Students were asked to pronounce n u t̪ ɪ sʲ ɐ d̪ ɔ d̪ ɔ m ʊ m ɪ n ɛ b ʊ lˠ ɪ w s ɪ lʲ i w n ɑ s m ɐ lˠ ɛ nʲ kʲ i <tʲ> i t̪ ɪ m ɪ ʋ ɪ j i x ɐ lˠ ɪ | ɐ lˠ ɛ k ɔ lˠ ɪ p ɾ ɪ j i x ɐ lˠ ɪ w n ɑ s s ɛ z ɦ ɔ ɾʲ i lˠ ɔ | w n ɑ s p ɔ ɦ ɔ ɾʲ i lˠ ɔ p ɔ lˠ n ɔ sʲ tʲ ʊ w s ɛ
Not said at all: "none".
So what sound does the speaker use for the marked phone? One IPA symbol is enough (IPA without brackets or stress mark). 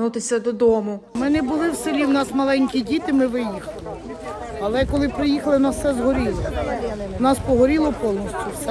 dʲ